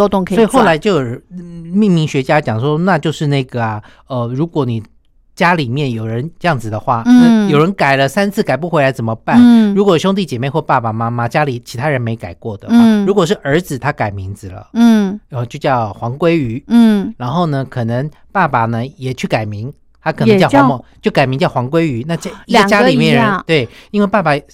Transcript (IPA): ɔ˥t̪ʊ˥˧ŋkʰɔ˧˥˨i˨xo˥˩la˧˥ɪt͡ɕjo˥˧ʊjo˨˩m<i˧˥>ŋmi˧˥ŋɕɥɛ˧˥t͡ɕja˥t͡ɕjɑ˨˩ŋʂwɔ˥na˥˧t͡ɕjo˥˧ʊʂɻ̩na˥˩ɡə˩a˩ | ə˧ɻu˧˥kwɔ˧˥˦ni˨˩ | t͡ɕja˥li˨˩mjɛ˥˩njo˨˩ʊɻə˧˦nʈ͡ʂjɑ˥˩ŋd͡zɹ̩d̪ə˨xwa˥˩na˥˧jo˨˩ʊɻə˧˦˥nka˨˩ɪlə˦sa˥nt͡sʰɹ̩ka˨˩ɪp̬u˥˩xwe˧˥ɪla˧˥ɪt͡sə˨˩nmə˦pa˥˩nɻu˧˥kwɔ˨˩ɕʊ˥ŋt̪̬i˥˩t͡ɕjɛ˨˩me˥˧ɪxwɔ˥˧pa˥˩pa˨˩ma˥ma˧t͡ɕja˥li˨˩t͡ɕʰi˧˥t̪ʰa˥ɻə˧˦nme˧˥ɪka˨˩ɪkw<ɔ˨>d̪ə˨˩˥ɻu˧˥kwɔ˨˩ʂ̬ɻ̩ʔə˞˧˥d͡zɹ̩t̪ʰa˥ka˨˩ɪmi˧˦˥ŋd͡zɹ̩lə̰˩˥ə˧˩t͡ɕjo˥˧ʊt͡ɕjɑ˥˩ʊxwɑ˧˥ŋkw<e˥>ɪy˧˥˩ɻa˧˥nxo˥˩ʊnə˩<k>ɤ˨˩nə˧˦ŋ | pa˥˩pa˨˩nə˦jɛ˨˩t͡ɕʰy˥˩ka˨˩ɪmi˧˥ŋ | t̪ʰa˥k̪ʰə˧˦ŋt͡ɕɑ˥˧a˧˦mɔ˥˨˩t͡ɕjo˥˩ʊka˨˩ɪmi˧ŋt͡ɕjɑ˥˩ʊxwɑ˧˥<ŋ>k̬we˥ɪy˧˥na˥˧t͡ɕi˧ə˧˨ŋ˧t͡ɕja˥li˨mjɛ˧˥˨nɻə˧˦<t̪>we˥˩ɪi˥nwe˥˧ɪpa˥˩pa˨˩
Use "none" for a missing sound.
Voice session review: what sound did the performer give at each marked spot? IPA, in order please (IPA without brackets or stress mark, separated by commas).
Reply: i˥˩, ɔ˥˩, e˥, kʰ, ŋ, t̪